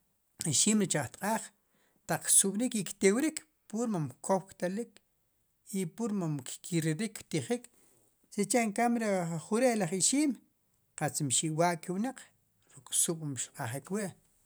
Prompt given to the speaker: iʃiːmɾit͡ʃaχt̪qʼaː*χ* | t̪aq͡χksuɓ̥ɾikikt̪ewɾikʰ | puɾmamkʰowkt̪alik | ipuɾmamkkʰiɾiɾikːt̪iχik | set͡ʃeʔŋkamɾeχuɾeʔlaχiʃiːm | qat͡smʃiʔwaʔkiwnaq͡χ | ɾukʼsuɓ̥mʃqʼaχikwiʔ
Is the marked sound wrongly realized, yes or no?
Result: no